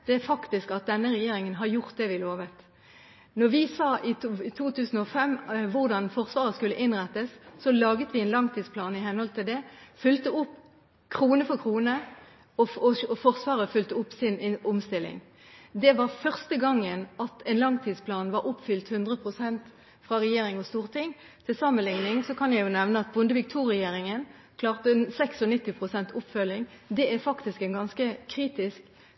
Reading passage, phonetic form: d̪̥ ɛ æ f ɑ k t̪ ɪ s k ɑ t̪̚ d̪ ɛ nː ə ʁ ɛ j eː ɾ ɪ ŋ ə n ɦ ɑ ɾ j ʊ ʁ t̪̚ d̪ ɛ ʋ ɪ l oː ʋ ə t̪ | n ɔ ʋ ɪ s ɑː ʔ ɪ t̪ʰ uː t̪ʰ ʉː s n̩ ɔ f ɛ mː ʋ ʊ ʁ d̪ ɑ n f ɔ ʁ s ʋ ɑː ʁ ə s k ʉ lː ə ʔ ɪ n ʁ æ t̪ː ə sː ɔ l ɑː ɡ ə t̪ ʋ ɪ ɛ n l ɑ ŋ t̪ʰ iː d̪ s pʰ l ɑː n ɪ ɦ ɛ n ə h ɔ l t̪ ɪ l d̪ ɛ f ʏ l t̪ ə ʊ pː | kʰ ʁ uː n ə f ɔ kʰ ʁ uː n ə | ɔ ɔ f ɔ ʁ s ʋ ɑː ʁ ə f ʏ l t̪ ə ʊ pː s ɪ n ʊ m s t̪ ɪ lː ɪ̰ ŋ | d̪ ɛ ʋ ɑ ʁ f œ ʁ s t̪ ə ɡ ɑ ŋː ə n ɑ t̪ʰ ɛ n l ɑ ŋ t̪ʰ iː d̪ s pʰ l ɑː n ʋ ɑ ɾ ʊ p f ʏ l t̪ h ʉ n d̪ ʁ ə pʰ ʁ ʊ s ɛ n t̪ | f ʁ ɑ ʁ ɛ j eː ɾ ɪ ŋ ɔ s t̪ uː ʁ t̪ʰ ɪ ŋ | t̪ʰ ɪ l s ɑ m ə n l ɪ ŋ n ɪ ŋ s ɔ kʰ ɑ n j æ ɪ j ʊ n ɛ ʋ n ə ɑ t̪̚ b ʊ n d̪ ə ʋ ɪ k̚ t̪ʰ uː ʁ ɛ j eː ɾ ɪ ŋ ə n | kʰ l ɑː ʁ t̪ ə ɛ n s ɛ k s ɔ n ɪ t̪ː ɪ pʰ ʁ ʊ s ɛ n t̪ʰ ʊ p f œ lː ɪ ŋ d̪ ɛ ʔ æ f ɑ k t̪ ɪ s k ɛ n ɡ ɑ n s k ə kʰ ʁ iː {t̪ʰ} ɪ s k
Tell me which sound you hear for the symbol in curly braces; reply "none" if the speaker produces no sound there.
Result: t̪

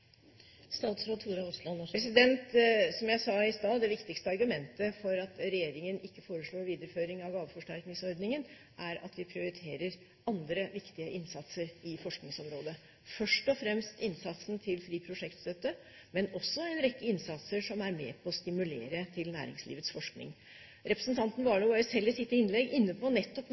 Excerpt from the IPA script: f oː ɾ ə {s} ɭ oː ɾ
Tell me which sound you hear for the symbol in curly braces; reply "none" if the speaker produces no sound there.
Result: ʂ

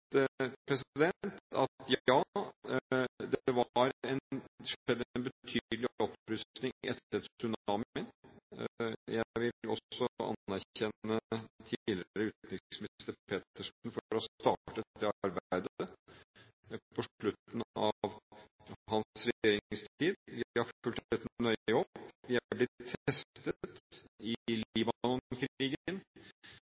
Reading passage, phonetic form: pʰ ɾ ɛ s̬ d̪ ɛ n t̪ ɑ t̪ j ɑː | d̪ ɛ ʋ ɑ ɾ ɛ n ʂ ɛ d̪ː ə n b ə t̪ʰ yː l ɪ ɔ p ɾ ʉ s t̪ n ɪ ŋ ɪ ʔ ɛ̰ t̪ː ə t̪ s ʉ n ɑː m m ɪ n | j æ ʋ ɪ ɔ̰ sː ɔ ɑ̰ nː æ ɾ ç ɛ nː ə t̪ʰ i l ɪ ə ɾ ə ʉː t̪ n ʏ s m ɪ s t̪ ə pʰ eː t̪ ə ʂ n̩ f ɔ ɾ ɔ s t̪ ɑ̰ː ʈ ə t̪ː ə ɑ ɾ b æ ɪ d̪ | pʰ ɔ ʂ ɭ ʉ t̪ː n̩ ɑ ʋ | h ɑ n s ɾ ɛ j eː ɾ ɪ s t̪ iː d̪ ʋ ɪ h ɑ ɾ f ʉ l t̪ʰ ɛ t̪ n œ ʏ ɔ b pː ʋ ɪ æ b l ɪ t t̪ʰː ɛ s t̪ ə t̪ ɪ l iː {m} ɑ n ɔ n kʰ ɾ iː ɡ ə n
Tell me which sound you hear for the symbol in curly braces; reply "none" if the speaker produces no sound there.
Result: b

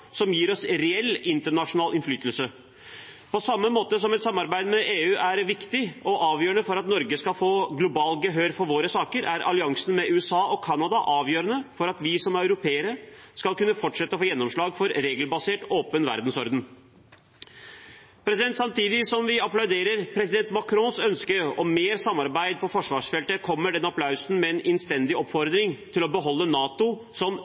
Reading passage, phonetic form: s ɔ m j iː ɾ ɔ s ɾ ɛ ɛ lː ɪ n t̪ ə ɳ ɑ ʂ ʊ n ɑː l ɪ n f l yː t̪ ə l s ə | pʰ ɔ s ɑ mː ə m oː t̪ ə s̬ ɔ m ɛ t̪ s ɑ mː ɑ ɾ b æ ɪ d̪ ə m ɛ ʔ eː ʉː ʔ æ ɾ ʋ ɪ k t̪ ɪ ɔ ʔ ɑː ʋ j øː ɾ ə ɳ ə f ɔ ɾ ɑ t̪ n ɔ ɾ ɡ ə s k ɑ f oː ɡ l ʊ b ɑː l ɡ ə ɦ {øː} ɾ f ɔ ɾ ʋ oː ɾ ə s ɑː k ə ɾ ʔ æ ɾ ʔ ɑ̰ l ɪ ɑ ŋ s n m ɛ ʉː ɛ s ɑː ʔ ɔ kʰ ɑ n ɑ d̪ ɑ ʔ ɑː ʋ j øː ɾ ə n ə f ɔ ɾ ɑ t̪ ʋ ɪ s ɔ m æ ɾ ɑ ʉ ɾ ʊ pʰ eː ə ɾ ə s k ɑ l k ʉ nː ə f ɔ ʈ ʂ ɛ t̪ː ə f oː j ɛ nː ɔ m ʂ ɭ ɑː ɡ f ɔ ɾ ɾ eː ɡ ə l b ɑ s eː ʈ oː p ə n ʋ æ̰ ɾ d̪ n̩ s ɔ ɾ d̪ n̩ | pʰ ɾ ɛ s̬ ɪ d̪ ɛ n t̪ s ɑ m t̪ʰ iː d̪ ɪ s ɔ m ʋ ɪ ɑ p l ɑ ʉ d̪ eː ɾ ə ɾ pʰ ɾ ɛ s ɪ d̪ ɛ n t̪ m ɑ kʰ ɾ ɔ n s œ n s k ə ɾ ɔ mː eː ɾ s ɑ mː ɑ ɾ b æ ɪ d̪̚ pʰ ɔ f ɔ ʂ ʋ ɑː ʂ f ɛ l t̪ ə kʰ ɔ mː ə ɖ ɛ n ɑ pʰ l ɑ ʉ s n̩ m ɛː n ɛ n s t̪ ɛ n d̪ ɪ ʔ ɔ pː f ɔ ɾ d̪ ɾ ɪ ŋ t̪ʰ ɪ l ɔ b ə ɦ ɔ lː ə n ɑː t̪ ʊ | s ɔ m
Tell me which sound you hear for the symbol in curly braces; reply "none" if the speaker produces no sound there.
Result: øː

